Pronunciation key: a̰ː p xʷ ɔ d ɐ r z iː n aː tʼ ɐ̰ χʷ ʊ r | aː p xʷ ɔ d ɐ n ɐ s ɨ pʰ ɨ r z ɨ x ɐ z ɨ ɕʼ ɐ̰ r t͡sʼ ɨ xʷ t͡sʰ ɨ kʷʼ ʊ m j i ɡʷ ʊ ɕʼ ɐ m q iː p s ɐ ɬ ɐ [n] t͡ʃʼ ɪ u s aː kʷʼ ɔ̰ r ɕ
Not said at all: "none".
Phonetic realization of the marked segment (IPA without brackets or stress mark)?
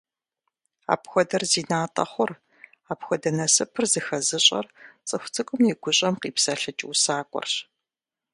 none